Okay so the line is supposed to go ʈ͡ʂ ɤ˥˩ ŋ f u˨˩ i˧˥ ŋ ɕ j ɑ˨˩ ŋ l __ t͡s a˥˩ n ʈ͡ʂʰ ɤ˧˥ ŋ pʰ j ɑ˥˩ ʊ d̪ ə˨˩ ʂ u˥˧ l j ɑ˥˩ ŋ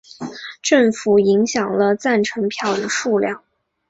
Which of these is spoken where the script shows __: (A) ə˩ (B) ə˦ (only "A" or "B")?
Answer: B